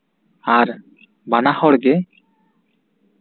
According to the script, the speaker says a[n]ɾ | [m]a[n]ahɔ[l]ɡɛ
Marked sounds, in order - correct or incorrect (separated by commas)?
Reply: incorrect, incorrect, correct, incorrect